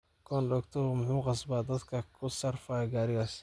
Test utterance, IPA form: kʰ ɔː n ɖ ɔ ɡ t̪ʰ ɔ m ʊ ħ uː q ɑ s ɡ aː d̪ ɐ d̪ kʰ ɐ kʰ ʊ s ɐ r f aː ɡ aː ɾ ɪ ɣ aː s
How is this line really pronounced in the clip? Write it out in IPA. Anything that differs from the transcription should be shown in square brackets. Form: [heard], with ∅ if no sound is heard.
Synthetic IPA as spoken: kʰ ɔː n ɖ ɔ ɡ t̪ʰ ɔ m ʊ ħ uː q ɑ s [b] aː d̪ ɐ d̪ kʰ ɐ kʰ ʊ s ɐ r f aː ɡ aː ɾ ɪ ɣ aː s